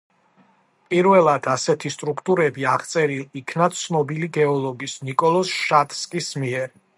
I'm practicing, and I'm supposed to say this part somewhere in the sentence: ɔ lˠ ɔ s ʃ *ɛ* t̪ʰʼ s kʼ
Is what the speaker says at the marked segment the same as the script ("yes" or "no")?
no